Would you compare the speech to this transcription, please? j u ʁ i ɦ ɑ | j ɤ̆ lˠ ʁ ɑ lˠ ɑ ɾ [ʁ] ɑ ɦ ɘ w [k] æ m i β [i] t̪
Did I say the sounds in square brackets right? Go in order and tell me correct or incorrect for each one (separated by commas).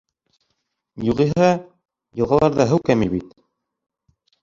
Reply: incorrect, correct, correct